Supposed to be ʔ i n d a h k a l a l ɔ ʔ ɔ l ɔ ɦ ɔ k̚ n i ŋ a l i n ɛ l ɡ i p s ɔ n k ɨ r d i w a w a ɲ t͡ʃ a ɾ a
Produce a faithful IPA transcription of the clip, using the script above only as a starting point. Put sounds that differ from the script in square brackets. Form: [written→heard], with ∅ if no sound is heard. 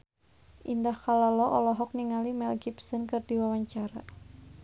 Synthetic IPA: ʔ i n d a h k a l a l ɔ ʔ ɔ l ɔ ɦ ɔ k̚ n i ŋ a l i [n→m] ɛ l ɡ i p s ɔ n k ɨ r d i w a w a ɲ t͡ʃ a ɾ a